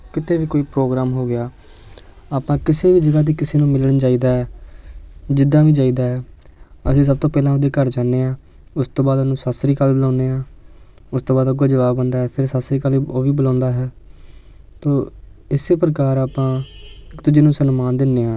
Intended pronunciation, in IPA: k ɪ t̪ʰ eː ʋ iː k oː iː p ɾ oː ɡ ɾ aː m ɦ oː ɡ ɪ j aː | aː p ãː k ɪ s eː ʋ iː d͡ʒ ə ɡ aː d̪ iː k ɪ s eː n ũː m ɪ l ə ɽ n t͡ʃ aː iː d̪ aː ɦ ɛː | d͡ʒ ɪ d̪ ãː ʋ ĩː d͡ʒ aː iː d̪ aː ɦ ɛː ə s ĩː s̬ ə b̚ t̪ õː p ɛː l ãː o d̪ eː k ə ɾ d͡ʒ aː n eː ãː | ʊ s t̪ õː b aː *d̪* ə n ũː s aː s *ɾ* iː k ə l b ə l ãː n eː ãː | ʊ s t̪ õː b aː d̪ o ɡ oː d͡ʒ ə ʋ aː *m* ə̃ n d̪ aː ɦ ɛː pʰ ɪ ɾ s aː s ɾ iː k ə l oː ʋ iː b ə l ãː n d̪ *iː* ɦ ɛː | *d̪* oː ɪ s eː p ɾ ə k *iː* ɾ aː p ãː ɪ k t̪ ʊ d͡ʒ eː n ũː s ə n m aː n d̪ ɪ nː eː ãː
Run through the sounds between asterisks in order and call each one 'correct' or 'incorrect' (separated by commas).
correct, correct, incorrect, incorrect, incorrect, incorrect